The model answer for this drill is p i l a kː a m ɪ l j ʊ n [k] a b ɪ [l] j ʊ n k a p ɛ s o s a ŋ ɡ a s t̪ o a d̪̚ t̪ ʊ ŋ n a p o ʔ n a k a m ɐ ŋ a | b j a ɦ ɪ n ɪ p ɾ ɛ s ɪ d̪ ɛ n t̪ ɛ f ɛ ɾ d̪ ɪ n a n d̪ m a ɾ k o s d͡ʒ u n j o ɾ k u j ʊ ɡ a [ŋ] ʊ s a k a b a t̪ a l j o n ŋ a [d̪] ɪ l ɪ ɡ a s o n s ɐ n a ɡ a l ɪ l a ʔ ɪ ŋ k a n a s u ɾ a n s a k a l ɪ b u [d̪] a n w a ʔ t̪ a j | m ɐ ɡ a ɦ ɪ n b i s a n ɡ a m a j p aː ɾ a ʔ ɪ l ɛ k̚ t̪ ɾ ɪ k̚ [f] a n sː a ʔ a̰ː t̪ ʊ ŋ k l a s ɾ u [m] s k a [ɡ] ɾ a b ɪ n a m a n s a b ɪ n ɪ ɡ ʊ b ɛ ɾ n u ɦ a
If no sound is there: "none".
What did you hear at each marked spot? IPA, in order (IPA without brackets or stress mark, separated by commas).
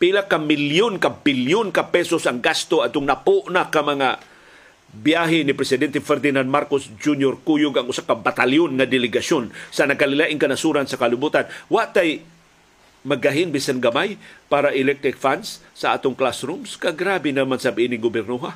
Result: k, l, ŋ, d̪, t̪, f, m, ɡ